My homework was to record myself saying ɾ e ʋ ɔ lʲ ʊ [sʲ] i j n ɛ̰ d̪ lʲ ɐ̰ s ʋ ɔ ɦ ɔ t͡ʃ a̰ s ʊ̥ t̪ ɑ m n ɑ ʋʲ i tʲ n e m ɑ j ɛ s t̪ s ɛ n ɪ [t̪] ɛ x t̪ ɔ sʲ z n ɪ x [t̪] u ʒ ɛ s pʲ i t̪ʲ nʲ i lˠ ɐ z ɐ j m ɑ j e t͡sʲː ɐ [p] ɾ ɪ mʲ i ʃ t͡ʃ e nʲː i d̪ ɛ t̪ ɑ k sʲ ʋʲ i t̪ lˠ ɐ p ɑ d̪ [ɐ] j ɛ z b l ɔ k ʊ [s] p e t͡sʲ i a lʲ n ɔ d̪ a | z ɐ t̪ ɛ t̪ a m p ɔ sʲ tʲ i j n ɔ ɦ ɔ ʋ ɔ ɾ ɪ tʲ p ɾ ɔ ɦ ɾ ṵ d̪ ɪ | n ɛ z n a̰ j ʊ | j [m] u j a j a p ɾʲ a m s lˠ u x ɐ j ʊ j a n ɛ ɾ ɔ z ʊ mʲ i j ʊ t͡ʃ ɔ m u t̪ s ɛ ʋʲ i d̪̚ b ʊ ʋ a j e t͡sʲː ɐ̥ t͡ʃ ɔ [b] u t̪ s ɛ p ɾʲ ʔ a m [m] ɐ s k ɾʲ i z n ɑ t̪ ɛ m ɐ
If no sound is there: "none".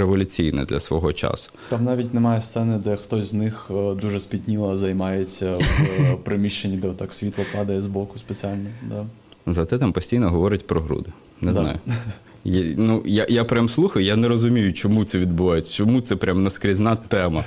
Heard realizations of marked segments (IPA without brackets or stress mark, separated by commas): t͡sʲ, d̪, d̪, p, ɐ, s, n, m, n